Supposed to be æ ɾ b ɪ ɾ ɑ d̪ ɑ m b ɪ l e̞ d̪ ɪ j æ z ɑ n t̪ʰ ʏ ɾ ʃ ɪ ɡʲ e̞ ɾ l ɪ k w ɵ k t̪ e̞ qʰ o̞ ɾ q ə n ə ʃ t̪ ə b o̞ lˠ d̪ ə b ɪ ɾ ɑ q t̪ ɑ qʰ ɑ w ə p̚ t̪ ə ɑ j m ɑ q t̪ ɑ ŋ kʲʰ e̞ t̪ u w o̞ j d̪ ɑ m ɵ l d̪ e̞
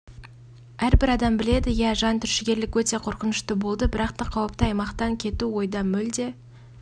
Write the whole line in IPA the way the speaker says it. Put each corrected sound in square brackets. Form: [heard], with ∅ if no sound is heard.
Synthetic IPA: æ ɾ b ɪ ɾ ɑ d̪ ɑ m b ɪ l e̞ d̪ ɪ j æ [ʒ] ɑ n t̪ʰ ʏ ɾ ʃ ɪ ɡʲ e̞ ɾ l ɪ k w ɵ [∅] t̪ e̞ qʰ o̞ ɾ q ə n ə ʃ t̪ ə b o̞ lˠ d̪ ə b ɪ ɾ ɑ q t̪ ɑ qʰ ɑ w ə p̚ t̪ ə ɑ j m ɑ q t̪ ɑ ŋ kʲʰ e̞ t̪ u w o̞ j d̪ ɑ m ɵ l d̪ e̞